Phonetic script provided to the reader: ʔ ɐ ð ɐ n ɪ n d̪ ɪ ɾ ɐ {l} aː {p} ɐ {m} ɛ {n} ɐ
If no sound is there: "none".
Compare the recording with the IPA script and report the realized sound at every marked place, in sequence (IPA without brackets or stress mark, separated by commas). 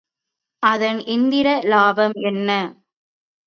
l, b, m, nː